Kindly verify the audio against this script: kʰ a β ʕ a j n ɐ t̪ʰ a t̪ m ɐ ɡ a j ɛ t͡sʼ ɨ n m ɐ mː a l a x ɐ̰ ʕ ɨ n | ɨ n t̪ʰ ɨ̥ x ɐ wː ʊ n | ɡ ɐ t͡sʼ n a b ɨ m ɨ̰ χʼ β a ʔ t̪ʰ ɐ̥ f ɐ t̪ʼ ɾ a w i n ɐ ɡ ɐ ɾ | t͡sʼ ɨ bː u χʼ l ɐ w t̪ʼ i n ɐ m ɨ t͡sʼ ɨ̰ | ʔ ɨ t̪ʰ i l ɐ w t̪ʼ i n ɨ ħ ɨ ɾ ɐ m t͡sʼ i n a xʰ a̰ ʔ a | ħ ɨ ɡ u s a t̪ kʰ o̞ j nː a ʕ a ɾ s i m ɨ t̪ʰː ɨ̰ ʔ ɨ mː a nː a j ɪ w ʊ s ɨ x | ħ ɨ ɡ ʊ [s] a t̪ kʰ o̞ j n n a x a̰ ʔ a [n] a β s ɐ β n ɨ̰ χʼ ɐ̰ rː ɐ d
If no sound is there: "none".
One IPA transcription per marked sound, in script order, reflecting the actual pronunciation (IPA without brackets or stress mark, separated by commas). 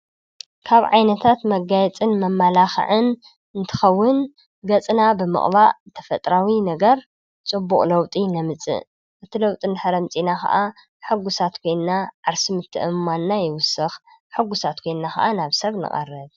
s, n